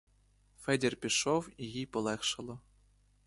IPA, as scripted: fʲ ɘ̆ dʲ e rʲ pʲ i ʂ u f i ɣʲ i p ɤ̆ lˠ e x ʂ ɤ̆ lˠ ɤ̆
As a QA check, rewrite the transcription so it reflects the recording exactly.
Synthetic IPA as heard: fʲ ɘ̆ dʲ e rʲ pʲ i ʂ o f i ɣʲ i p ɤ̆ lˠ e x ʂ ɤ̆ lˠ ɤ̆